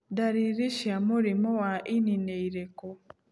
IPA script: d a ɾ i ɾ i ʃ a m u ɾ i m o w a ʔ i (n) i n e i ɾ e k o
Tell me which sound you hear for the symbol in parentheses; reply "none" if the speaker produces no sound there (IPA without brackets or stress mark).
n